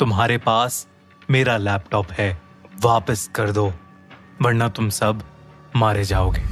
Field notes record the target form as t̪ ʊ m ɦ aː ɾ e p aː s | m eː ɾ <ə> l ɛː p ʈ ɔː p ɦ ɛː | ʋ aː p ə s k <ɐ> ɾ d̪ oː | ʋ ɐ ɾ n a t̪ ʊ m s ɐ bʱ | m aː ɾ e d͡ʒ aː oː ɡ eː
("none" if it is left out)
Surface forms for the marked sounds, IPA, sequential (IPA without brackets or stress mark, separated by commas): a, ɐ